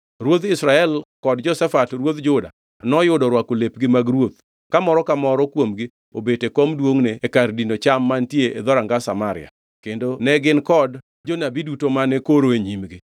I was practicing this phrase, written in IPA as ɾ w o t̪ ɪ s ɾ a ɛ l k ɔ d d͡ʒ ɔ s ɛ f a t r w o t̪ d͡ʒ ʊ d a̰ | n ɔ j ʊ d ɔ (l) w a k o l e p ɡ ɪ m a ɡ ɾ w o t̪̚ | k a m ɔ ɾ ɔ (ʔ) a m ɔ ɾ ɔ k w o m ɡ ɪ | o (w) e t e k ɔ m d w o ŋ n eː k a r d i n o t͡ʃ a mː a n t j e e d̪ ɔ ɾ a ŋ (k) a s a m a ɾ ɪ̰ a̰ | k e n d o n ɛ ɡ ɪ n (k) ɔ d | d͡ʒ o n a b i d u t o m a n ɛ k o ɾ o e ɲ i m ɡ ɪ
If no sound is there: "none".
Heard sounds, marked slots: ɾ, k, b, ɡ, k

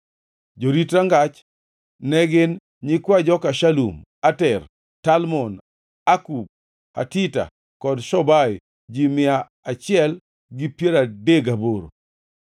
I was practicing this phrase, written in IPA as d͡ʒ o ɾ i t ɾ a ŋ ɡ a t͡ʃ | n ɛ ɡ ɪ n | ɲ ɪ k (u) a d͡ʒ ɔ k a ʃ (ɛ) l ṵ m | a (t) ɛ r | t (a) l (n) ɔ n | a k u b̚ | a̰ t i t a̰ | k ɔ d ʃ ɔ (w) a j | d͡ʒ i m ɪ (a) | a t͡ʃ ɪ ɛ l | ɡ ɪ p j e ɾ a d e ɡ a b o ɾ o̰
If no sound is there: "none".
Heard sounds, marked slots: w, a, t, a, m, b, a

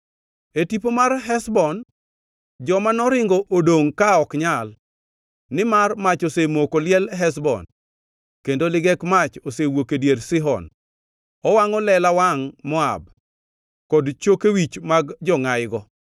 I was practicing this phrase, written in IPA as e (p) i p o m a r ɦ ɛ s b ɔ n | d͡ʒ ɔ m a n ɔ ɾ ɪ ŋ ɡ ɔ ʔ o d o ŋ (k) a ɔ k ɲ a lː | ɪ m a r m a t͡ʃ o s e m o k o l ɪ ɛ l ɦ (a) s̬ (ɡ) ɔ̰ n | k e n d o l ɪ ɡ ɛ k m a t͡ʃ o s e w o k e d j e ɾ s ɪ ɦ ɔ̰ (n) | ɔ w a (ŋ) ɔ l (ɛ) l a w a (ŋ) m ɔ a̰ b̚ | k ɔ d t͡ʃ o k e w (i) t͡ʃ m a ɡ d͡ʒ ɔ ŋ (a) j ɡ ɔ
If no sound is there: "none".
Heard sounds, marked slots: t, k, ɛ, b, n, ŋ, ɛ, ŋ, i, a

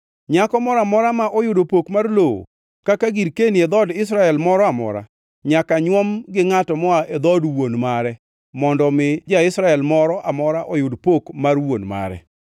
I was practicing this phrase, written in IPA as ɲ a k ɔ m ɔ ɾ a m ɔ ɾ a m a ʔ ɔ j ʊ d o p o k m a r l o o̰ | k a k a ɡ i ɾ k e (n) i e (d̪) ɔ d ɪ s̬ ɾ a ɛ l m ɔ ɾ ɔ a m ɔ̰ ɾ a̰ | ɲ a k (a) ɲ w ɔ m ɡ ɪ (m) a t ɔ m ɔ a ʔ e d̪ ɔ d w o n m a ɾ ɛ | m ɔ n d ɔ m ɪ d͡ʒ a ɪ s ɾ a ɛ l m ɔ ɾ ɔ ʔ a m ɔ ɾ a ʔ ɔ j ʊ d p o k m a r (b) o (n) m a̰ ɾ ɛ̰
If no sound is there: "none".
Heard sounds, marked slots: n, d̪, a, ŋ, w, n

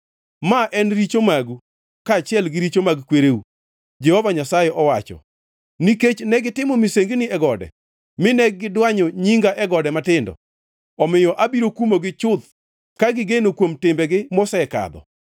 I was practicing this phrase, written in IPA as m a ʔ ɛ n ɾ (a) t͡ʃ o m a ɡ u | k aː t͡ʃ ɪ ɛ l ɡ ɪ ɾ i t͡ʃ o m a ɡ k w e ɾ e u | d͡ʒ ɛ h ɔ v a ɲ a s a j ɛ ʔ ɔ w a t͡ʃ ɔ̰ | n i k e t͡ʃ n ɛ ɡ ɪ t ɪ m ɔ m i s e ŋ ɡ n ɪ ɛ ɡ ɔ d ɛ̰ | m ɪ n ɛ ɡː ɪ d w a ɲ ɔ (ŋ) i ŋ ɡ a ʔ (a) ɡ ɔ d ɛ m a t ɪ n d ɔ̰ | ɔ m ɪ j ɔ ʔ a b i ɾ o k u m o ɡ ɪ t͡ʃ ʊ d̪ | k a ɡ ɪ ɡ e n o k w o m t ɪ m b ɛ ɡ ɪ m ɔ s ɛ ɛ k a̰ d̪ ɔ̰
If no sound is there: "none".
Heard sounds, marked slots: i, ɲ, ɛ

